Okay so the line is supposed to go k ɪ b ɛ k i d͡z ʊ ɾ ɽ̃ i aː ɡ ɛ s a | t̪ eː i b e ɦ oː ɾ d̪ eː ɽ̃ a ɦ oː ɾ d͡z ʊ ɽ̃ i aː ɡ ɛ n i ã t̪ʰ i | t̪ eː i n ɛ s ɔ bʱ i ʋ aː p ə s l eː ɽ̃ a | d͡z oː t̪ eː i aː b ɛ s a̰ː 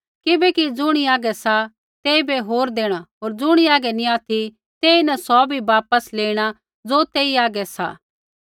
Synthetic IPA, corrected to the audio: k ɪ b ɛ k i d͡z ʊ ɽ̃ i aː ɡ ɛ s a | t̪ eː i b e ɦ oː ɾ d̪ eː ɽ̃ a ɦ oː ɾ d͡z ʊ ɽ̃ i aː ɡ ɛ n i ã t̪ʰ i | t̪ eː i n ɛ s ɔ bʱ i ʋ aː p ə s l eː ɽ̃ a | d͡z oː t̪ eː i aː ɡ ɛ s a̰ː

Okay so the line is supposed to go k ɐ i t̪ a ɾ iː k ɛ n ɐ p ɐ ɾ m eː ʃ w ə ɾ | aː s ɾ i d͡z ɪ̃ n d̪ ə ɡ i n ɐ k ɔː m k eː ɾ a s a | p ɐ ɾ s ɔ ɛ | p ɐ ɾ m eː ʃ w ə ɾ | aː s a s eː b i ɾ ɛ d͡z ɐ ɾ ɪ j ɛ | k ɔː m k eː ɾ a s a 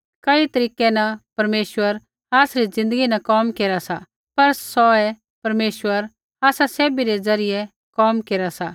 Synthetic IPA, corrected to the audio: k ɐ i t̪ ɐ ɾ iː k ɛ n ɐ p ɐ ɾ m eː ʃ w ə ɾ | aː s ɾ i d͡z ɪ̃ n d̪ ə ɡ i n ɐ k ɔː m k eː ɾ a s a | p ɐ ɾ s ɔ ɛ | p ɐ ɾ m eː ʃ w ə ɾ | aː s a s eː b i ɾ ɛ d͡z ɐ ɾ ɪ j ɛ | k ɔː m k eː ɾ a s a

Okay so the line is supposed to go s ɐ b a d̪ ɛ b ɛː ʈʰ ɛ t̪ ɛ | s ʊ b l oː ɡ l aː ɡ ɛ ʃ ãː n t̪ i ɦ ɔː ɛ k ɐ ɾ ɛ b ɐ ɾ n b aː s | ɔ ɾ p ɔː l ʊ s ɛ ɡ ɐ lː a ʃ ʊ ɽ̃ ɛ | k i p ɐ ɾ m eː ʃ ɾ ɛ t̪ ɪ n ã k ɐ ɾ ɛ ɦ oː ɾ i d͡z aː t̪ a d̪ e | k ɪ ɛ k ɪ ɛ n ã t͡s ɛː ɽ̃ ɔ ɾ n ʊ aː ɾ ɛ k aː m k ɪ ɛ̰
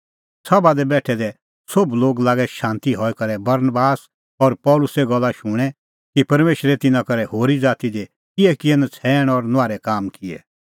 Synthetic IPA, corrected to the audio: s ɐ b a d̪ ɛ b ɛː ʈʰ ɛ d̪ ɛ | s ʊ b l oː ɡ l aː ɡ ɛ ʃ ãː n t̪ i ɦ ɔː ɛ k ɐ ɾ ɛ b ɐ ɾ n b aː s | ɔ ɾ p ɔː l ʊ s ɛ ɡ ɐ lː a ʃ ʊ ɽ̃ ɛ | k i p ɐ ɾ m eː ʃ ɾ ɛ t̪ ɪ n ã k ɐ ɾ ɛ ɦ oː ɾ i d͡z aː t̪ i d̪ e | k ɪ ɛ k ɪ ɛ n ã t͡sʰ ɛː ɽ̃ ɔ ɾ n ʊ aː ɾ ɛ k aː m k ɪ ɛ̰

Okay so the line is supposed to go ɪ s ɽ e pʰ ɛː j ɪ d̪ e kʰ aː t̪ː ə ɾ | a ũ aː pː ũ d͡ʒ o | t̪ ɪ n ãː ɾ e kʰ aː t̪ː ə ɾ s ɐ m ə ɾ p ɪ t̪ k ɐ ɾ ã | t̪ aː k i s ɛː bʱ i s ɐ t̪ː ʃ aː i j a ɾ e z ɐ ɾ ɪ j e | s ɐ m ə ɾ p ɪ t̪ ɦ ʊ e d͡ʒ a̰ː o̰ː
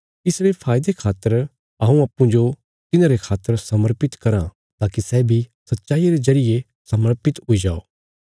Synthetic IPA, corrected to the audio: ɪ s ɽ e pʰ aː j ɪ d̪ e kʰ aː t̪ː ə ɾ | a ũ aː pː ũ d͡ʒ o | t̪ ɪ n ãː ɾ e kʰ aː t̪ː ə ɾ s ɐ m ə ɾ p ɪ t̪ k ɐ ɾ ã | t̪ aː k i s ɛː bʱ i s ɐ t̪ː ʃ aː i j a ɾ e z ɐ ɾ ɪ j e | s ɐ m ə ɾ p ɪ t̪ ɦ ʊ i d͡ʒ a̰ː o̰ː

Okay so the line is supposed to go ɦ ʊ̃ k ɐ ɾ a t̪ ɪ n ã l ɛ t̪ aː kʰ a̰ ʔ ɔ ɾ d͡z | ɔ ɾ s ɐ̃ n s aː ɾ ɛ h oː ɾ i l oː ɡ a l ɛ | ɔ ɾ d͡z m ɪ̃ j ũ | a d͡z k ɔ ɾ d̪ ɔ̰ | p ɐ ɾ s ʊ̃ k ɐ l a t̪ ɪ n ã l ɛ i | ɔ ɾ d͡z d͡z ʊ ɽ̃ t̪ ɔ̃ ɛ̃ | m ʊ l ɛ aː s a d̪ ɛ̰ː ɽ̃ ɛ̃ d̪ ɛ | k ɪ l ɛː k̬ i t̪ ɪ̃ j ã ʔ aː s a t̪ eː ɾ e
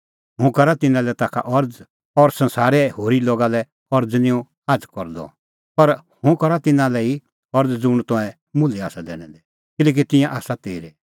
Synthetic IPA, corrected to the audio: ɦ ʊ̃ k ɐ ɾ a t̪ ɪ n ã l ɛ t̪ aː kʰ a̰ ʔ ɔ ɾ d͡z | ɔ ɾ s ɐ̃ n s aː ɾ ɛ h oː ɾ i l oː ɡ a l ɛ | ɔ ɾ d͡z n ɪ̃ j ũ | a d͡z k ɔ ɾ d̪ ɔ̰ | p ɐ ɾ h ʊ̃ k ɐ ɾ a t̪ ɪ n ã l ɛ i | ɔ ɾ d͡z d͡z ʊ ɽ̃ t̪ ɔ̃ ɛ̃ | m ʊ l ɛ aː s a d̪ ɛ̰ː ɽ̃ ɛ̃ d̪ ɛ | k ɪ l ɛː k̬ i t̪ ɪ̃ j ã ʔ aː s a t̪ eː ɾ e

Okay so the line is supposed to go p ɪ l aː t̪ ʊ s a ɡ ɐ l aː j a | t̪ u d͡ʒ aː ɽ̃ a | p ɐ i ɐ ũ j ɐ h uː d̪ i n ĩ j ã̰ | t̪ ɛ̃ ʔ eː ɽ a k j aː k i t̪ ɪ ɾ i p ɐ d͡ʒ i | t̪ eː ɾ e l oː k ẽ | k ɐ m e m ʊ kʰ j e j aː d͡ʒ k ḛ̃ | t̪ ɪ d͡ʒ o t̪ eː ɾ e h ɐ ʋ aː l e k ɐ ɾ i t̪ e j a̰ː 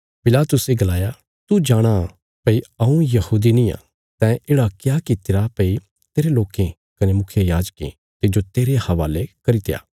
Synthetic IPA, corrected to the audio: p ɪ l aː t̪ ʊ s e ɡ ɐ l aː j a | t̪ u d͡ʒ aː ɽ̃ a | p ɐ i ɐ ũ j ɐ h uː d̪ i n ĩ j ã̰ | t̪ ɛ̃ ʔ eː ɽ a k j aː k i t̪ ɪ ɾ a p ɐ i | t̪ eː ɾ e l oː k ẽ | k ɐ n e m ʊ kʰ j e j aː d͡ʒ k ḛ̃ | t̪ ɪ d͡ʒ o t̪ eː ɾ e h ɐ ʋ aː l e k ɐ ɾ i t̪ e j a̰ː

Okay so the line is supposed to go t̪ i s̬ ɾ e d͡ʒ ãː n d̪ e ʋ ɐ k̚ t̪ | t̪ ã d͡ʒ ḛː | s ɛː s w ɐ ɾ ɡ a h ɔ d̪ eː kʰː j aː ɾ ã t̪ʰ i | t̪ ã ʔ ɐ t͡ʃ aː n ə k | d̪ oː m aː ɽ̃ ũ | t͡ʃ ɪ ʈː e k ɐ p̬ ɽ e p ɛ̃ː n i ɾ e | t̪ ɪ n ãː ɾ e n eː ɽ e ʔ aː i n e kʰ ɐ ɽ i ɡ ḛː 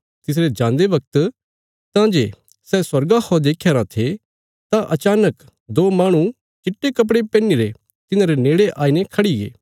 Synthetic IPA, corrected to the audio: t̪ ɪ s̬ ɾ e d͡ʒ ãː n d̪ e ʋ ɐ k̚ t̪ | t̪ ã d͡ʒ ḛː | s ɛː s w ɐ ɾ ɡ a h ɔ d̪ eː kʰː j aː ɾ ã t̪ʰ e | t̪ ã ʔ ɐ t͡ʃ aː n ə k | d̪ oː m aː ɽ̃ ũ | t͡ʃ ɪ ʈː e k ɐ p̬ ɽ e p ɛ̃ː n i ɾ e | t̪ ɪ n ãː ɾ e n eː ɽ e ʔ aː i n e kʰ ɐ ɽ i ɡ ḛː

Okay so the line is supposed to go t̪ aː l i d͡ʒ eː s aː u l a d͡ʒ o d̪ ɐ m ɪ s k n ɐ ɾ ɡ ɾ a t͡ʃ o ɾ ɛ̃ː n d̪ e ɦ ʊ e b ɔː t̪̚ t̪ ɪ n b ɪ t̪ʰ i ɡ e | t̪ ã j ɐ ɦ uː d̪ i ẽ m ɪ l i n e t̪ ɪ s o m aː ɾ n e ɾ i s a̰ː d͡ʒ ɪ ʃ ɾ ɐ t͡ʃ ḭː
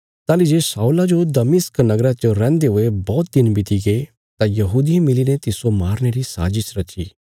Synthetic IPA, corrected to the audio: t̪ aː l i d͡ʒ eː s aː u l a d͡ʒ o d̪ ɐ m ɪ s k n ɐ ɡ ɾ a t͡ʃ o ɾ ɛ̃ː n d̪ e ɦ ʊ e b ɔː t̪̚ d̪ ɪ n b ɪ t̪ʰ i ɡ e | t̪ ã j ɐ ɦ uː d̪ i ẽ m ɪ l i n e t̪ ɪ s o m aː ɾ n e ɾ i s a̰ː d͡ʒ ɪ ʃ ɾ ɐ t͡ʃ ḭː

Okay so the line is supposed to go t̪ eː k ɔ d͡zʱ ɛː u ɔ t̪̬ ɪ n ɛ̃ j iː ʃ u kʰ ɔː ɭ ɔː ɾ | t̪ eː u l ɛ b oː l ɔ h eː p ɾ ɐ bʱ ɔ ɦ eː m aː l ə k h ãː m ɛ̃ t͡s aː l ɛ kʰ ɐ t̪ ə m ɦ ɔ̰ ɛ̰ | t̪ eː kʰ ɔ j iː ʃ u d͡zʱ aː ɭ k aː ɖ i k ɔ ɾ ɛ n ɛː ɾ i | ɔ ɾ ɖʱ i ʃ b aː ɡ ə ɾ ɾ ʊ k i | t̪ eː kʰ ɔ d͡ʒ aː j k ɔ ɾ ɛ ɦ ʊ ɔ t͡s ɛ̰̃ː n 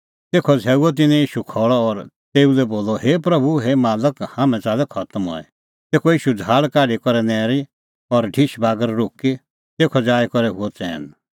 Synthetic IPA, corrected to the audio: t̪ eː kʰ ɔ d͡zʱ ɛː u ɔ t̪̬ ɪ n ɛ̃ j iː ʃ u kʰ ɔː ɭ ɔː ɾ | t̪ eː u l ɛ b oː l ɔ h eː p ɾ ɐ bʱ u ɦ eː m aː l ə k h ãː m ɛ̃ t͡s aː l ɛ kʰ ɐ t̪ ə m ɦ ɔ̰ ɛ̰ | t̪ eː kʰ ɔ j iː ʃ u d͡zʱ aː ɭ k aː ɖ i k ɔ ɾ ɛ n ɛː ɾ i | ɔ ɾ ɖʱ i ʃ b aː ɡ ə ɾ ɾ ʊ k i | t̪ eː kʰ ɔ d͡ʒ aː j k ɔ ɾ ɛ ɦ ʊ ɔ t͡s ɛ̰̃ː n

